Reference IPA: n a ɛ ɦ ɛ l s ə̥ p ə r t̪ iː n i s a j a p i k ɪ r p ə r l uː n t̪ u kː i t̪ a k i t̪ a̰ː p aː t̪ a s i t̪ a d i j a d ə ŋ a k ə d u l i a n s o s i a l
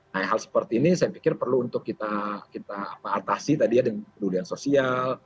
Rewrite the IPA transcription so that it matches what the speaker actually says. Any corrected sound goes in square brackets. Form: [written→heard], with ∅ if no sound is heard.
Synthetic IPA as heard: n a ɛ ɦ [ɛ→a] l s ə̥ p ə r t̪ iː n i s a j a p i k ɪ r p ə r l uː n t̪ [u→ʊ] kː i t̪ a k i t̪ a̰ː p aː t̪ a s i t̪ a d i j a d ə ŋ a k ə d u l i a n s o s i a l